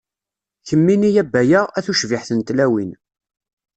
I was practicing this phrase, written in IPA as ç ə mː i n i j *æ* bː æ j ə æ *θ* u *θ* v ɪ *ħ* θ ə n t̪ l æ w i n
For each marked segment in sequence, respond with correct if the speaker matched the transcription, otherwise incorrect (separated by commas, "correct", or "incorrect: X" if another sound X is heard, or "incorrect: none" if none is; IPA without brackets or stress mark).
correct, correct, incorrect: ʃ, correct